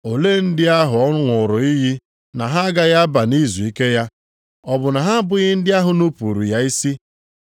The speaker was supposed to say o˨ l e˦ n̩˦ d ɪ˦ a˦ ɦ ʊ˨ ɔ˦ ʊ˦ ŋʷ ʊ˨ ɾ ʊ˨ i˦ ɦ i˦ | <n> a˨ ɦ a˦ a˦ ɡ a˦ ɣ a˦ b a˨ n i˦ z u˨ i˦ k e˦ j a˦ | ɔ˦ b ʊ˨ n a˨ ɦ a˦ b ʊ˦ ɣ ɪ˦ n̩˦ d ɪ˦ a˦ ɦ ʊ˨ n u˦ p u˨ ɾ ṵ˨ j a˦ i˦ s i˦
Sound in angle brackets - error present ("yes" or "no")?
no